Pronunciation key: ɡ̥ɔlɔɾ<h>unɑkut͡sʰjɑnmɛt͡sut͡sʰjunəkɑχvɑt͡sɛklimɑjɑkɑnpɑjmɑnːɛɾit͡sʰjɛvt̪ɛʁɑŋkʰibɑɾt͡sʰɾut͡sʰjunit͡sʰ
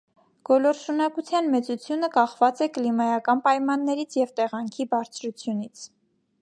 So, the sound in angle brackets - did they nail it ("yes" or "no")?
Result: no